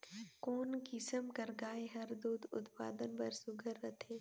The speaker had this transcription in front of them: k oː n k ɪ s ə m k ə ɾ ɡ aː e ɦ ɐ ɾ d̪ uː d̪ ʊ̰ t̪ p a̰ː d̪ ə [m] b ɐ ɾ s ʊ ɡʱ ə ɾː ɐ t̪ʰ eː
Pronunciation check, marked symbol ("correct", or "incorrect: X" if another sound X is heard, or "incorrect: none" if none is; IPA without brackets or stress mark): incorrect: n